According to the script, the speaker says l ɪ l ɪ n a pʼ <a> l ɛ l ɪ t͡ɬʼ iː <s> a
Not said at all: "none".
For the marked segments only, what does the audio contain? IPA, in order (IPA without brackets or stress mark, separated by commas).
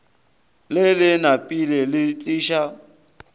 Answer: i, ʃ